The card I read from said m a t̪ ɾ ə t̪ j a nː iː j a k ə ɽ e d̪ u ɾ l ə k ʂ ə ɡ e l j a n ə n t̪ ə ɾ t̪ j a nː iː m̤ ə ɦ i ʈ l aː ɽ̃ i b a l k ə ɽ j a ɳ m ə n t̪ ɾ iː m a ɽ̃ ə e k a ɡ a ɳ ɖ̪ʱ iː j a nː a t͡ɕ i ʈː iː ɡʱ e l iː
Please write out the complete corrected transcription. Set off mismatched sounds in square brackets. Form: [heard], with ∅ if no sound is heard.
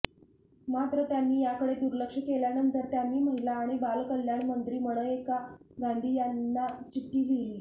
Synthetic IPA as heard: m a t̪ ɾ ə t̪ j a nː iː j a k ə ɽ e d̪ u ɾ l ə k ʂ ə [k] e l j a n ə n t̪ ə ɾ t̪ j a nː iː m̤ ə ɦ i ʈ l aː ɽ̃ i b a l k ə [l] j a ɳ m ə n t̪ ɾ iː m [ə] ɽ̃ ə e k a ɡ a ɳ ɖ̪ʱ iː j a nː a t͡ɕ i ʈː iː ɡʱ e l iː